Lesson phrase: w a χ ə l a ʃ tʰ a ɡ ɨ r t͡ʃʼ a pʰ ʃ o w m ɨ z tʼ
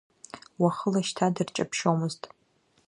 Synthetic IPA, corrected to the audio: w a χ ə l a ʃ tʰ a d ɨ r t͡ʃʼ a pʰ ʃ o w m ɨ z tʼ